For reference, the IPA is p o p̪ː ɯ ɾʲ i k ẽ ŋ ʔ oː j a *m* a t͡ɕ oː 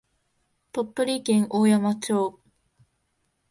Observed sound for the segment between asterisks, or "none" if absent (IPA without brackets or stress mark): m